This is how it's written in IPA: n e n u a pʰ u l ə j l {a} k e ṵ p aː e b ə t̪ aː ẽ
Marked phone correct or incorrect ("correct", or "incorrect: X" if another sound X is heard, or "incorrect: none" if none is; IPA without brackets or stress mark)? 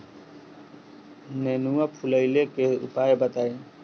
incorrect: e